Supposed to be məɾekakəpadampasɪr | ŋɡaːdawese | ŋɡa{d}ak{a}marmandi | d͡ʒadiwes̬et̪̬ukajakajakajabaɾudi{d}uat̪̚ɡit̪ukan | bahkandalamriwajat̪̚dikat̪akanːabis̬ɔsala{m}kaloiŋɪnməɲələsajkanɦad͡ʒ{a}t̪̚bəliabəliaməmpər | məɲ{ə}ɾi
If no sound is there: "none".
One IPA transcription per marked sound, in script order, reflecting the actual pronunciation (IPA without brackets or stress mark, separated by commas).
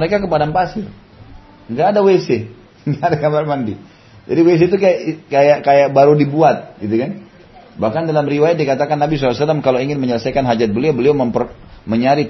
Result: d, a, b, m, a, a